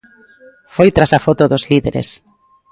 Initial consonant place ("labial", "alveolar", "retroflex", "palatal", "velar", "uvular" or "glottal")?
labial